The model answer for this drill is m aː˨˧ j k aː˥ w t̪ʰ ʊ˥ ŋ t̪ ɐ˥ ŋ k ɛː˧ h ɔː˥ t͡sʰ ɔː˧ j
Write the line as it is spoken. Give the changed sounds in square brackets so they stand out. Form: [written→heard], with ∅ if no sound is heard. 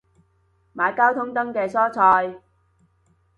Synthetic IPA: m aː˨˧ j k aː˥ w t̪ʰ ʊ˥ ŋ t̪ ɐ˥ ŋ k ɛː˧ [h→s] ɔː˥ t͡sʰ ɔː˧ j